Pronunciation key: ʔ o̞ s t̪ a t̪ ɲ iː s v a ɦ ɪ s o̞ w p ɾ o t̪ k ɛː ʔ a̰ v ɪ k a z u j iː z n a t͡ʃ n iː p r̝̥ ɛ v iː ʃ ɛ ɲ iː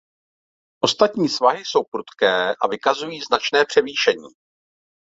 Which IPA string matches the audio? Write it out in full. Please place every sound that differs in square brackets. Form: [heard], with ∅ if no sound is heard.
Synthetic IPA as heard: ʔ o̞ s t̪ a t̪ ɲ iː s v a ɦ ɪ s o̞ w p ɾ [u] t̪ k ɛː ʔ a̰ v ɪ k a z u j iː z n a t͡ʃ n [ɛː] p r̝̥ ɛ v iː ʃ ɛ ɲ iː